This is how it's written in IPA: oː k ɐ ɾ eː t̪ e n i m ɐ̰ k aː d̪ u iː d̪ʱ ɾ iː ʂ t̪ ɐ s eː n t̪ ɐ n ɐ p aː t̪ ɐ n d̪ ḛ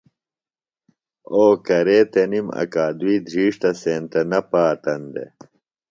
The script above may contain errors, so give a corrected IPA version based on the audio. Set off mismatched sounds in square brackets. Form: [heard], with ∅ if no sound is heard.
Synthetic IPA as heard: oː k ɐ ɾ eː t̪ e n i m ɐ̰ k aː d̪ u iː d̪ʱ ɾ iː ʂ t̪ ɐ s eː n t̪ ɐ n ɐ p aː t̪ ɐ n d̪ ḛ